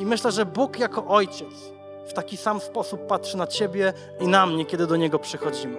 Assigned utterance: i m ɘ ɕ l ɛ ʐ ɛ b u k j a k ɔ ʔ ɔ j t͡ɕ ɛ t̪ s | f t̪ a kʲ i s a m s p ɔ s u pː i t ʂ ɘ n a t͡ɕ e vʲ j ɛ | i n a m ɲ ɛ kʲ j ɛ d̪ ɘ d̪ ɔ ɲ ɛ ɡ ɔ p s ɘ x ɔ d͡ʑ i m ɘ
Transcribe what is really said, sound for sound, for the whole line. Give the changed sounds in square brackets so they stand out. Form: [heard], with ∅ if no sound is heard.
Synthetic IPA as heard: i m ɘ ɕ l ɛ ʐ ɛ b u k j a k ɔ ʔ ɔ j t͡ɕ ɛ t̪ s | f t̪ a kʲ i s a m s p ɔ s u pː [a] t ʂ ɘ n a t͡ɕ e [bʲ] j ɛ | i n a m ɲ ɛ kʲ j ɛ d̪ ɘ d̪ ɔ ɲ ɛ ɡ ɔ p [ʂ] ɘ x ɔ d͡ʑ i m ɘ